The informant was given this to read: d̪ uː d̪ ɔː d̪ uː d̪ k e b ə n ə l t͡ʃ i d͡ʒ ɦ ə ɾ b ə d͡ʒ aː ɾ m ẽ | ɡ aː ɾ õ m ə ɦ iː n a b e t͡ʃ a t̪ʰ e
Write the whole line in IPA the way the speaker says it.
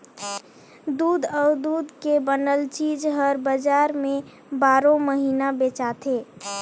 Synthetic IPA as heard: d̪ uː d̪ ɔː d̪ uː d̪ k e b ə n ə l t͡ʃ i d͡ʒ ɦ ə ɾ b ə d͡ʒ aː ɾ m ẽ | b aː ɾ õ m ə ɦ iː n a b e t͡ʃ a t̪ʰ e